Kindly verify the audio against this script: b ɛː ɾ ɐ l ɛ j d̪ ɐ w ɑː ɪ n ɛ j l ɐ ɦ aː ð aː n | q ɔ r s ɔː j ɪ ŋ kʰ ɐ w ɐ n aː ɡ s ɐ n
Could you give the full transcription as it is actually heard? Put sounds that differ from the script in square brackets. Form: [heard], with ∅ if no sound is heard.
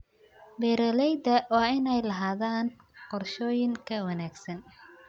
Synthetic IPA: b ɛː ɾ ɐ l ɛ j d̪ ɐ w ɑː ɪ n ɛ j l ɐ ɦ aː ð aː n | q ɔ r [ʃ] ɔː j ɪ ŋ kʰ ɐ w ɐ n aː ɡ s ɐ n